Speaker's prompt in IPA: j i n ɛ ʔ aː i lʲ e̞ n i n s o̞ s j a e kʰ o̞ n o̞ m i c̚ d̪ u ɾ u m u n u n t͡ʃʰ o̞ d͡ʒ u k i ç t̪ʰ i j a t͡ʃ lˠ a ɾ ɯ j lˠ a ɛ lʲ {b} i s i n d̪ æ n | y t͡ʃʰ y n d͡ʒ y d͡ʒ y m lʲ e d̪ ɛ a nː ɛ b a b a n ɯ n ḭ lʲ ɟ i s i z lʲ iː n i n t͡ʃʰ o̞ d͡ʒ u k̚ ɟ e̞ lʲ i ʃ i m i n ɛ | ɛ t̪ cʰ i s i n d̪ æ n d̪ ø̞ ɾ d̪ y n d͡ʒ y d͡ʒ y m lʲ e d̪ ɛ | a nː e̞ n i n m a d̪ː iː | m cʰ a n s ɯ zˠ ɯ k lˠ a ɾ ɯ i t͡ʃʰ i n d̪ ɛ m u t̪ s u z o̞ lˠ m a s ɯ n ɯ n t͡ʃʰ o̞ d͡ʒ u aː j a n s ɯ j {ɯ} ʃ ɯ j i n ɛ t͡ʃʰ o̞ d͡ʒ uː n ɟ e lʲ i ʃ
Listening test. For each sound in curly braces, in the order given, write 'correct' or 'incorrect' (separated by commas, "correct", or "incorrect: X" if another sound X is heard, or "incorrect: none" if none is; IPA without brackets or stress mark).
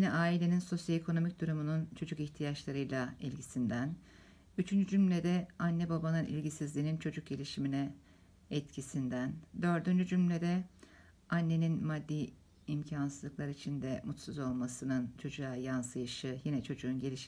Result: incorrect: ɟ, correct